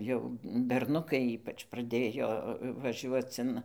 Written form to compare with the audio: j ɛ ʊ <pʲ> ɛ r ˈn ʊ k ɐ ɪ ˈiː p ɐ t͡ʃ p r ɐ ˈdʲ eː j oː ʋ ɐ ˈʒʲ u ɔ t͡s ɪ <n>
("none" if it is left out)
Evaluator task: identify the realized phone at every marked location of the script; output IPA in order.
bʲ, n

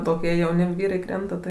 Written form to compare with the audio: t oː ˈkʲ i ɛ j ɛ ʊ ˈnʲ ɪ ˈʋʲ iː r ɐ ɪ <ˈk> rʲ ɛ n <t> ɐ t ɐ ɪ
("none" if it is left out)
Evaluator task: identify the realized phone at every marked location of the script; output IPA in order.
k, t

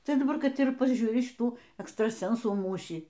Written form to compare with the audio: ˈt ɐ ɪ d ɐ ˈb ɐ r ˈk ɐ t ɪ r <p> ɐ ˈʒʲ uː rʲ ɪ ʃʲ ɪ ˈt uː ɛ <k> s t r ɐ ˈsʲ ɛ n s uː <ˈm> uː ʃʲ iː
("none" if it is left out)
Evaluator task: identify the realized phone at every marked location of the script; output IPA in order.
p, k, m

